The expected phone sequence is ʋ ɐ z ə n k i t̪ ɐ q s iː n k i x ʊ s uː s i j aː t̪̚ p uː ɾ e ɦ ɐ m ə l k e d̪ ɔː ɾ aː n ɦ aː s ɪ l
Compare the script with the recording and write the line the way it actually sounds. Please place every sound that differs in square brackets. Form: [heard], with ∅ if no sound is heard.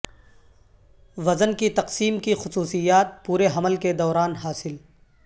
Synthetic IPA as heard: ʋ ɐ z ə n k i t̪ ɐ q s iː [m] k i x ʊ s uː s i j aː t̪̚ p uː ɾ e ɦ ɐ m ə l k e d̪ ɔː ɾ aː n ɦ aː s ɪ l